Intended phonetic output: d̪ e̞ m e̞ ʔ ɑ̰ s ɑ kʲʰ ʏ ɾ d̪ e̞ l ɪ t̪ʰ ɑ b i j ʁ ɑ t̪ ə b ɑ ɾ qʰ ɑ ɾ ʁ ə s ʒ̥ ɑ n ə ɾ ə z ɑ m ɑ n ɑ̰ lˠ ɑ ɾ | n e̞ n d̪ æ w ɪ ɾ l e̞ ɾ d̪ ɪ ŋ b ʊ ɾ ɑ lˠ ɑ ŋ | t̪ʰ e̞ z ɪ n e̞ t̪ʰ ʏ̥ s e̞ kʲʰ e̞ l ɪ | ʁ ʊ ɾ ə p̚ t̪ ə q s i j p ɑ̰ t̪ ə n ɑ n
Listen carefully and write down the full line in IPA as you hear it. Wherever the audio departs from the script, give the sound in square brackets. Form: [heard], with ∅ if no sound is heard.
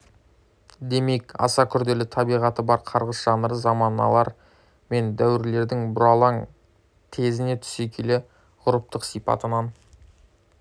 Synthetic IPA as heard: d̪ e̞ m e̞ [k] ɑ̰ s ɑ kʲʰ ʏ ɾ d̪ e̞ l ɪ t̪ʰ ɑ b i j ʁ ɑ t̪ ə b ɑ ɾ qʰ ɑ ɾ ʁ ə s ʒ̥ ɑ n ə ɾ ə z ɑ m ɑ n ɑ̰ lˠ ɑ ɾ | [m] e̞ n d̪ æ w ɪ ɾ l e̞ ɾ d̪ ɪ ŋ b ʊ ɾ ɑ lˠ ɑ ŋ | t̪ʰ e̞ z ɪ n e̞ t̪ʰ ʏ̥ s e̞ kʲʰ e̞ l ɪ | ʁ ʊ ɾ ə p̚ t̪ ə q s i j p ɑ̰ t̪ ə n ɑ n